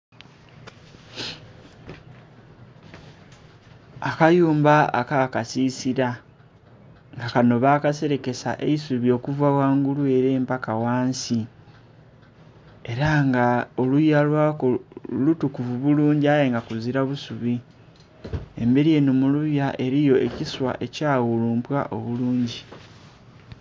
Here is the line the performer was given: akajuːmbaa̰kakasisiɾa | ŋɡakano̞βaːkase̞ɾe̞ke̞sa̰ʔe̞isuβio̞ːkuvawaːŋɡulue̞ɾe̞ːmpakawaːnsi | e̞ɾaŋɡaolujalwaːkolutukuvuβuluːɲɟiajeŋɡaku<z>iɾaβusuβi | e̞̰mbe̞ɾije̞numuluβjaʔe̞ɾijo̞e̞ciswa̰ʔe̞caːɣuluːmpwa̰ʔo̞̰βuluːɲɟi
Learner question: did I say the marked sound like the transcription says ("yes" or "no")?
yes